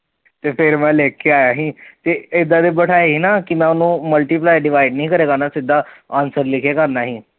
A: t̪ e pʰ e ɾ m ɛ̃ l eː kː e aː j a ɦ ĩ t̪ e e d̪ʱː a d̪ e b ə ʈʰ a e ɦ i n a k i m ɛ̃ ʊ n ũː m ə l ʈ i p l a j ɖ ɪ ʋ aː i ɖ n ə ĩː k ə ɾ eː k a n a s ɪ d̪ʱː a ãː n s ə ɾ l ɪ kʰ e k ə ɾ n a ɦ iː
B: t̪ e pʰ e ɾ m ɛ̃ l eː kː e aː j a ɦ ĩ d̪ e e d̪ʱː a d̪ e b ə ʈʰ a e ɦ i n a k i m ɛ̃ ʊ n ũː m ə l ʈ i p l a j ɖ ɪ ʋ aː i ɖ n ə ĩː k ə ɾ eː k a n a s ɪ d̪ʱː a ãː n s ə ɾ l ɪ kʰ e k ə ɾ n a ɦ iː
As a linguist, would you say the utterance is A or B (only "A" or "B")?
A